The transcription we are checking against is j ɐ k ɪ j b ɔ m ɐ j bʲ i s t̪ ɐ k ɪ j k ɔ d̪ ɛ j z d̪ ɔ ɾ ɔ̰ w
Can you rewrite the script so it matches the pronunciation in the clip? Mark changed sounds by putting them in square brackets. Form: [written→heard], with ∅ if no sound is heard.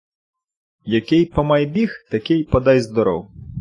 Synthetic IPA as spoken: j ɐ k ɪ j [b→p] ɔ m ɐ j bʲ i [s→x] t̪ ɐ k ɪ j [k→p] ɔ d̪ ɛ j z d̪ ɔ ɾ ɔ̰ w